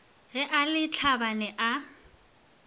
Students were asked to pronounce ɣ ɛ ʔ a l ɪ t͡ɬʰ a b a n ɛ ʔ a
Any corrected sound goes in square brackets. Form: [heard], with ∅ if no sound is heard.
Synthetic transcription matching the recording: ɣ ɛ ʔ a l ɪ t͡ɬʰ a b a n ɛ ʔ a